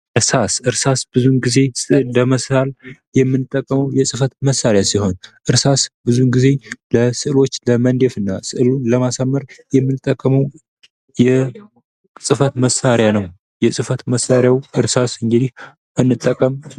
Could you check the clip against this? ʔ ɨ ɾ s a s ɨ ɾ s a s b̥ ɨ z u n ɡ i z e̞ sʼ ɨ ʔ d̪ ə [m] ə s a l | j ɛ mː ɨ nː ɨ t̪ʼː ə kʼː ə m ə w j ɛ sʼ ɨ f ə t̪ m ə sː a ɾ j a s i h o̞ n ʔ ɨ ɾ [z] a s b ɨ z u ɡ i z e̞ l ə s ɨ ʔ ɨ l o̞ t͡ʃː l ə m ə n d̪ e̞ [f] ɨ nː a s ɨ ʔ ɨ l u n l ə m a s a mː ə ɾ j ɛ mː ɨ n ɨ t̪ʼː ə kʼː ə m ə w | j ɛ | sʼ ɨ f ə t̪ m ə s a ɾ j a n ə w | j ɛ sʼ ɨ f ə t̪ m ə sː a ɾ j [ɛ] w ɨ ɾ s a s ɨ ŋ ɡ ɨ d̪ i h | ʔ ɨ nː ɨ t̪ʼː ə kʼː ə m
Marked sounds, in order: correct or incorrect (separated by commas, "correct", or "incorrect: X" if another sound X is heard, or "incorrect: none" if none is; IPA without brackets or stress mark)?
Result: correct, incorrect: s, correct, incorrect: a